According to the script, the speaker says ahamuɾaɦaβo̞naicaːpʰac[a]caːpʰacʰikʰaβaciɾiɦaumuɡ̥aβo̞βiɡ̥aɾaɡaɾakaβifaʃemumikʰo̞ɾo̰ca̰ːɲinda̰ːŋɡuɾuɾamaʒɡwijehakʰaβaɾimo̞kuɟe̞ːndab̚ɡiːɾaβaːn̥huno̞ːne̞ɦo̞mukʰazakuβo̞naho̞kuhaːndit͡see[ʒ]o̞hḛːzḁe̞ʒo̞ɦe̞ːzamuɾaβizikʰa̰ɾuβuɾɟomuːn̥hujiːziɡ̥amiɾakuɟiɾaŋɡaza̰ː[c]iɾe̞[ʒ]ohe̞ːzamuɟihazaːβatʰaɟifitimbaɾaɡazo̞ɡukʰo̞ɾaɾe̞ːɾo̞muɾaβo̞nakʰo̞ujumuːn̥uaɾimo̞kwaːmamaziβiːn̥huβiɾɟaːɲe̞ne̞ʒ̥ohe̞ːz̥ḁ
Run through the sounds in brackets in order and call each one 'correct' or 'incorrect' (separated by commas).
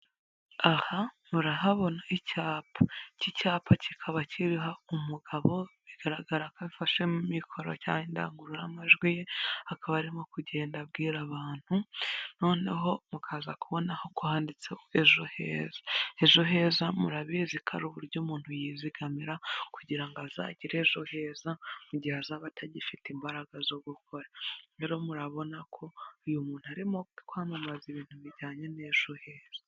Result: incorrect, correct, incorrect, correct